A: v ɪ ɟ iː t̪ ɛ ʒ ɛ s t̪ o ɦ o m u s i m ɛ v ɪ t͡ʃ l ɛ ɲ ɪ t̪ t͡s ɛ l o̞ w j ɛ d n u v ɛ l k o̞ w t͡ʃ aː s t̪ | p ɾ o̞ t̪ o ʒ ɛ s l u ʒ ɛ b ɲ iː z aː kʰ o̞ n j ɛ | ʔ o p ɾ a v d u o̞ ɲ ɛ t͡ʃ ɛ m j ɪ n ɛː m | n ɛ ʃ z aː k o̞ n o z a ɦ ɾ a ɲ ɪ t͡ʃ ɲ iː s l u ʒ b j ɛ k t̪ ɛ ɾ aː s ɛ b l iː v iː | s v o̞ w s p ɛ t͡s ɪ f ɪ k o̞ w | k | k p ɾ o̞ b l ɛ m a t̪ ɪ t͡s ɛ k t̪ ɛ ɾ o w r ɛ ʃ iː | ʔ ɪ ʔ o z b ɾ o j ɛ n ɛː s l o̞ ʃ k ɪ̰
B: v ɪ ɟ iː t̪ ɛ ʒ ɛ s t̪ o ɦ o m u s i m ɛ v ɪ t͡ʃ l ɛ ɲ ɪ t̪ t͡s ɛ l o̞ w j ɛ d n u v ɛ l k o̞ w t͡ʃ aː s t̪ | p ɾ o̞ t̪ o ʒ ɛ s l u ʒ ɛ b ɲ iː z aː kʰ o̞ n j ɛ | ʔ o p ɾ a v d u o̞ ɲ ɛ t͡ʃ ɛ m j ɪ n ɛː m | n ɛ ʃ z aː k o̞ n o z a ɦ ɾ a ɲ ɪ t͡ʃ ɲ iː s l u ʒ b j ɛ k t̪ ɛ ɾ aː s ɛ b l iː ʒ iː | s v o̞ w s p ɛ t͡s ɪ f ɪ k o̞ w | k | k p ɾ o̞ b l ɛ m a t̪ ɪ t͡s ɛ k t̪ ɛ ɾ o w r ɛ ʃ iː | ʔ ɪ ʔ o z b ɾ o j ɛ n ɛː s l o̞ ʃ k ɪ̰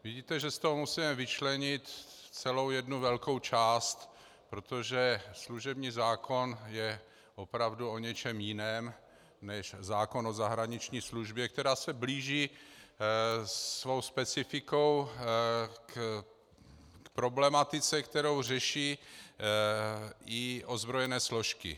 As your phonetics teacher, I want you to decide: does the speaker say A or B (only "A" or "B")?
B